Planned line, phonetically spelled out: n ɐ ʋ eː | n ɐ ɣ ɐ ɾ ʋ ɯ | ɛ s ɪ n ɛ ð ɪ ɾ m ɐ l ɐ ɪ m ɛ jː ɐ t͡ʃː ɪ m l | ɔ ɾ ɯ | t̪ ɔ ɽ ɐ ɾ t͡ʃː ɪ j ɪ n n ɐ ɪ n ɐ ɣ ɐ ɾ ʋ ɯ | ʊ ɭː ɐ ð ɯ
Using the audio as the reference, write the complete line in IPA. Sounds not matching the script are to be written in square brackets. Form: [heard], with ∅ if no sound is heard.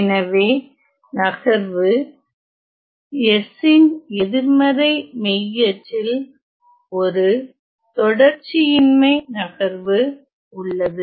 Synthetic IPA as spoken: n ɐ ʋ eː | n ɐ ɣ ɐ ɾ ʋ ɯ | ɛ s ɪ n ɛ ð ɪ ɾ m ɐ [ɾ] ɐ ɪ m ɛ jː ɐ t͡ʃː ɪ [∅] l | ɔ ɾ ɯ | t̪ ɔ ɽ ɐ ɾ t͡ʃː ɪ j ɪ n [m] ɐ ɪ n ɐ ɣ ɐ ɾ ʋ ɯ | ʊ ɭː ɐ ð ɯ